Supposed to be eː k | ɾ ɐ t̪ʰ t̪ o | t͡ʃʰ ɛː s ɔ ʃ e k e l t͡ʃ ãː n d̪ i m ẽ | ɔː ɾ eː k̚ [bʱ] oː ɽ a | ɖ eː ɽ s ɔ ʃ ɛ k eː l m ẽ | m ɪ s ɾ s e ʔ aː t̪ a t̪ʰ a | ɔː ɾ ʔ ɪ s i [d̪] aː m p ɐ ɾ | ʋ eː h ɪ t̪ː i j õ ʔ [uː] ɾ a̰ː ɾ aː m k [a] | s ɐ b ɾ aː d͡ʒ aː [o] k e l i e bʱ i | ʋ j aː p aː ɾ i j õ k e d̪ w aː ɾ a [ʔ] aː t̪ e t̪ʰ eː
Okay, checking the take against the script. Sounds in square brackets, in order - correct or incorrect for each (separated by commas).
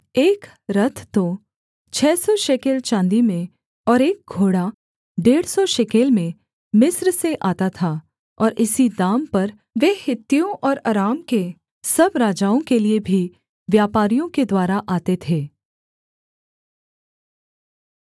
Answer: incorrect, correct, incorrect, incorrect, incorrect, correct